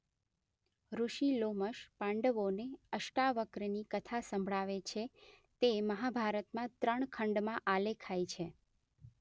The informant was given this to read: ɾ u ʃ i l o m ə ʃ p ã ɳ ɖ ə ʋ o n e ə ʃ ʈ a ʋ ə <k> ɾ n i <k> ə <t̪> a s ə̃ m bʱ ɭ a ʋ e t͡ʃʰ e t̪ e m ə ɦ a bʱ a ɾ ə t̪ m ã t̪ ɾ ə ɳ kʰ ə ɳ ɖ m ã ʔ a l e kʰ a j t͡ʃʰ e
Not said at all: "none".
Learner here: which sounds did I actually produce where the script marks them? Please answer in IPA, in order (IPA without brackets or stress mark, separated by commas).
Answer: k, k, t̪ʰ